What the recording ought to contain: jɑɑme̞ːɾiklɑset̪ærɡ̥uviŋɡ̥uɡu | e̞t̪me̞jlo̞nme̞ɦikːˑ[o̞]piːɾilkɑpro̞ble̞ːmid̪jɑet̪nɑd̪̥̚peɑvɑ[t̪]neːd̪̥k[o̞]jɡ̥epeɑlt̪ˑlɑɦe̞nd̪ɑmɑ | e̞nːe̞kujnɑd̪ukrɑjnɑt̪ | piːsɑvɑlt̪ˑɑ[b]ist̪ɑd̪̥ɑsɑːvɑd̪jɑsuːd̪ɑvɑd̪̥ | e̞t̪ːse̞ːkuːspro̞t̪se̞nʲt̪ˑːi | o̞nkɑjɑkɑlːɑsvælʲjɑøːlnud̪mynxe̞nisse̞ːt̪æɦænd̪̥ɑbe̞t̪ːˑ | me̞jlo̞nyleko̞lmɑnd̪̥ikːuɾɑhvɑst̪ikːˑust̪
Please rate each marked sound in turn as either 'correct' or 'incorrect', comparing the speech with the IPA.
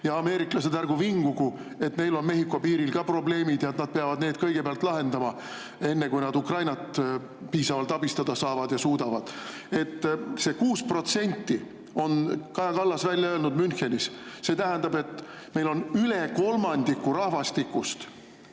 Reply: correct, incorrect: d̪, incorrect: ɤ̞, correct

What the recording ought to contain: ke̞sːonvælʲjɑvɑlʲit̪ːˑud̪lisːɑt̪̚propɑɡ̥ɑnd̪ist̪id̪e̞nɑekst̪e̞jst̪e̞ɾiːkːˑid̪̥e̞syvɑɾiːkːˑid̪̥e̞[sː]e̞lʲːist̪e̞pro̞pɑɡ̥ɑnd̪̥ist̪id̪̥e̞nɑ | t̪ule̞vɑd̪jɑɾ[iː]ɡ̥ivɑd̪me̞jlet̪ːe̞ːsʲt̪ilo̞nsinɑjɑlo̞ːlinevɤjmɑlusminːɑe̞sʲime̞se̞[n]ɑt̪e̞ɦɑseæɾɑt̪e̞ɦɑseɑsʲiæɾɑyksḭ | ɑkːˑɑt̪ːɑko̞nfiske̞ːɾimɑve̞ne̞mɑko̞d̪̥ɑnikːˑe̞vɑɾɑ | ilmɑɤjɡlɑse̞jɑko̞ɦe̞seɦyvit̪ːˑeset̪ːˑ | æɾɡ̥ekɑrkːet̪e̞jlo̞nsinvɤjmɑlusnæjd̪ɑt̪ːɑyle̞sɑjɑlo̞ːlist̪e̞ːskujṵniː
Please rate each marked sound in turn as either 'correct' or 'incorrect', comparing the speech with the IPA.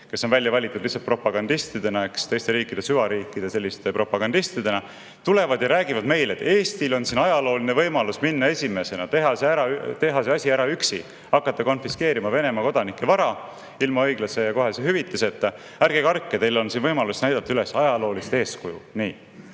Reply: incorrect: s, incorrect: æː, correct

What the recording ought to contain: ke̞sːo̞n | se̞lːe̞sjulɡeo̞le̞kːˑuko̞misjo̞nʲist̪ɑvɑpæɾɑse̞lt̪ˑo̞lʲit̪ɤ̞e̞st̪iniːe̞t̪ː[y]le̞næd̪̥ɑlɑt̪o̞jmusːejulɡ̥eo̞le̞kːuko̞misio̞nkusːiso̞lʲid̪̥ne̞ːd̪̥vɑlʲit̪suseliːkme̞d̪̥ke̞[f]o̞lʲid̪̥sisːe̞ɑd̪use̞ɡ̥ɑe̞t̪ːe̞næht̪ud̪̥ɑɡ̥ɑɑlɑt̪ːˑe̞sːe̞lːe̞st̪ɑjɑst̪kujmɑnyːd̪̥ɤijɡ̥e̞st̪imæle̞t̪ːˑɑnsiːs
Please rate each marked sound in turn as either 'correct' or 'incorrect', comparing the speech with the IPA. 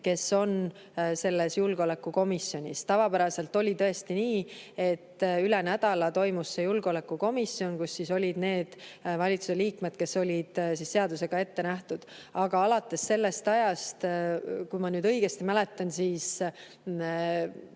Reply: correct, incorrect: s

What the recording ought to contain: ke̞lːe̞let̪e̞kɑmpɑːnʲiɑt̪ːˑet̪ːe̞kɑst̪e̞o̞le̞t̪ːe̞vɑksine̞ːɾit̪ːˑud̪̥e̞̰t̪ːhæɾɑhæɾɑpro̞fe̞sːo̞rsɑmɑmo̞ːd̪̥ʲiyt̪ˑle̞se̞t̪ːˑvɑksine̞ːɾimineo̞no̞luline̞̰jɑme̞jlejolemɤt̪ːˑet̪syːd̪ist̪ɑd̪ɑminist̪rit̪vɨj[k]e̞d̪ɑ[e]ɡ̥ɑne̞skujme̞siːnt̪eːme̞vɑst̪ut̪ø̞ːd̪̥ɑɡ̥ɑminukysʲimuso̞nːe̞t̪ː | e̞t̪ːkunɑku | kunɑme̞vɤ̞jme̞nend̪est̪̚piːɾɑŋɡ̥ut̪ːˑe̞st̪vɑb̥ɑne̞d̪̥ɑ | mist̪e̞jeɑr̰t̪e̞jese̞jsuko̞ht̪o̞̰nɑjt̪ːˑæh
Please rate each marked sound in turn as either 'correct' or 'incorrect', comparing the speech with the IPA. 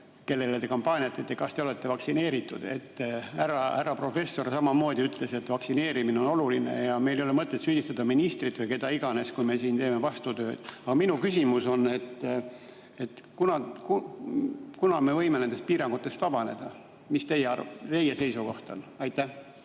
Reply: correct, incorrect: i

